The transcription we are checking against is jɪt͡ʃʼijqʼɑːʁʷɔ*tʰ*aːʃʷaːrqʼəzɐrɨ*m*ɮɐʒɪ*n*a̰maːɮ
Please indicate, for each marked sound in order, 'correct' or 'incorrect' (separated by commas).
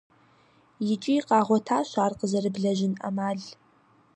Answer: correct, incorrect, correct